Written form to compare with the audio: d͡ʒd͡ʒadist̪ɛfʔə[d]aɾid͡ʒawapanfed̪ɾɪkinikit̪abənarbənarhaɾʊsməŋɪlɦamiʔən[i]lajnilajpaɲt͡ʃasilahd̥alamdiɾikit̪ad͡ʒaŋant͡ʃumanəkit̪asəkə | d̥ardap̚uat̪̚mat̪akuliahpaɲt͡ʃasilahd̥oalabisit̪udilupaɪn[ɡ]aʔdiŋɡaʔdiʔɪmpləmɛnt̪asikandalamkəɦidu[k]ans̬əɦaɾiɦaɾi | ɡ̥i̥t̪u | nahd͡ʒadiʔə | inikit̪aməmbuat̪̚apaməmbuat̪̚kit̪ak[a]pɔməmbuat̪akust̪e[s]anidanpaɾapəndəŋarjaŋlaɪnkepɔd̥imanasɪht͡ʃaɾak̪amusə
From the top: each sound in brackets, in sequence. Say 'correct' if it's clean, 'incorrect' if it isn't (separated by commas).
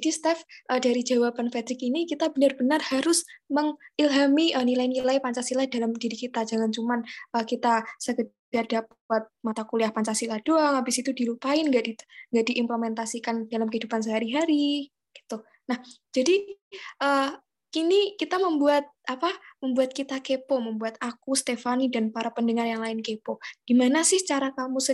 correct, correct, correct, incorrect, incorrect, incorrect